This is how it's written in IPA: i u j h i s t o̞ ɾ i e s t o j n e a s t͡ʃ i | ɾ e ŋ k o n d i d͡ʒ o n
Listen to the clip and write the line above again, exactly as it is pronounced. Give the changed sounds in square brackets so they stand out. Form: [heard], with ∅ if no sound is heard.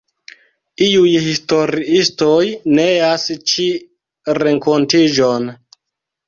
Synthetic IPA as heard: i u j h i s t o̞ ɾ i [i] s t o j n e a s t͡ʃ i | ɾ e ŋ k o n [t] i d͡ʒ o n